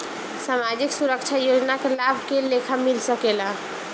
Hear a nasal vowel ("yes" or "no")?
no